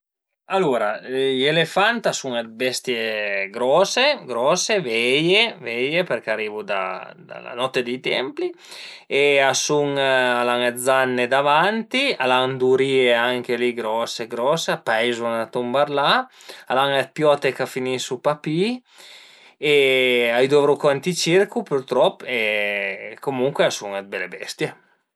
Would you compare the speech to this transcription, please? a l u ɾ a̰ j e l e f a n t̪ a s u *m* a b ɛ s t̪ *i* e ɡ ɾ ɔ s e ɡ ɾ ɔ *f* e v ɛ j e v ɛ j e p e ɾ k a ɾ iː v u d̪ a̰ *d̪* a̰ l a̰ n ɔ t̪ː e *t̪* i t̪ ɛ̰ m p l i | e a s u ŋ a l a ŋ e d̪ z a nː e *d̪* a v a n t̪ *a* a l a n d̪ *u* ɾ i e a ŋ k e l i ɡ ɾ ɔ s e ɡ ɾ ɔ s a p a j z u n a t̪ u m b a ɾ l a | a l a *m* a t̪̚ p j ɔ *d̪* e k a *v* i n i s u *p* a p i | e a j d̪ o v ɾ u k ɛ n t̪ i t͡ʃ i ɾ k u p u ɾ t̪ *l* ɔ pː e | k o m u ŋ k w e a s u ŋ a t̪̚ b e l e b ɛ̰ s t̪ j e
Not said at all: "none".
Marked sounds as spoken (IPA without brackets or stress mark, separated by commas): ŋ, j, s, d̪, d̪, d̪, i, u, ŋ, t̪, f, p, ɾ